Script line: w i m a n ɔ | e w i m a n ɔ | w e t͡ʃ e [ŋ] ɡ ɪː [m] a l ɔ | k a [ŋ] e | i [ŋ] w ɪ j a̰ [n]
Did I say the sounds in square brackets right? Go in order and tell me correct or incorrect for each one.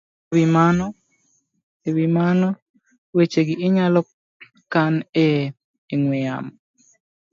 incorrect, incorrect, incorrect, correct, incorrect

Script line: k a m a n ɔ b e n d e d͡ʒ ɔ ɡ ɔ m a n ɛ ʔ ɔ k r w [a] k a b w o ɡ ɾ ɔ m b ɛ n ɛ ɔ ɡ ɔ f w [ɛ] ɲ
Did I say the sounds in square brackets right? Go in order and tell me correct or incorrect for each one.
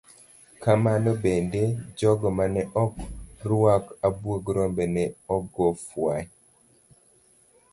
correct, incorrect

